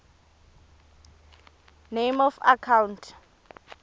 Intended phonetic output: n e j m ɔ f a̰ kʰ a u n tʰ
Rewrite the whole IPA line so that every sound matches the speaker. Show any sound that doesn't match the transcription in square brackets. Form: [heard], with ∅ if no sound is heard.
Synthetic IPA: n e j m ɔ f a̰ kʰ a [w] n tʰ